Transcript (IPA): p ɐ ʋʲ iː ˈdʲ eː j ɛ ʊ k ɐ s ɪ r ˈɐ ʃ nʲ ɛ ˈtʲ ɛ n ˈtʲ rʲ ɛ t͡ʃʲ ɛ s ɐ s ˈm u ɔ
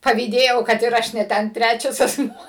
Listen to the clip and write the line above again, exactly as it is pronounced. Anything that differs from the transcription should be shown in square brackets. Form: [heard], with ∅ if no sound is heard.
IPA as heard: p ɐ ʋʲ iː ˈdʲ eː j ɛ ʊ k ɐ [t] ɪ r ˈɐ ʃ nʲ ɛ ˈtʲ ɛ n ˈtʲ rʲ [æ] t͡ʃʲ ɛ s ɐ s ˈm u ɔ